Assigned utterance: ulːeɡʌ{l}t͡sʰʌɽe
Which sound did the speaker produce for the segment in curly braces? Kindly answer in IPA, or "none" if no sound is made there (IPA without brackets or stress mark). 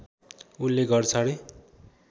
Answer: r